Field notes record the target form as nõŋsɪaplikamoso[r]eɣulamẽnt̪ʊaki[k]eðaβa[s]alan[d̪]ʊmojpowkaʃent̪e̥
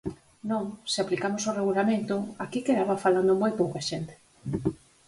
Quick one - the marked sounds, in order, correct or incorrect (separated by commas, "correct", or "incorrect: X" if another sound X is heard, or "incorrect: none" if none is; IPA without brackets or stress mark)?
correct, correct, incorrect: f, correct